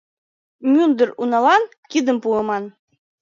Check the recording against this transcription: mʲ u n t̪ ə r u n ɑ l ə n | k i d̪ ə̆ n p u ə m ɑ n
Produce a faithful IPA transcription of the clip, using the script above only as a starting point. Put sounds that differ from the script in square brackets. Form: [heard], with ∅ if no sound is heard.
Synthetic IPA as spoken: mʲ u n [d̪] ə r u n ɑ l [ɑ] n | k i d̪ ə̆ [m] p u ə m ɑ n